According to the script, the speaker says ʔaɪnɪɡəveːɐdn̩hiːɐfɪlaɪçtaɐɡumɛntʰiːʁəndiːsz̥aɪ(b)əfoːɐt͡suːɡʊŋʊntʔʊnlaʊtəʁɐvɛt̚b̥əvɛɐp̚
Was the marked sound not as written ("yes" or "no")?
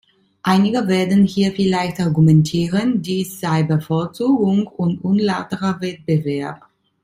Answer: no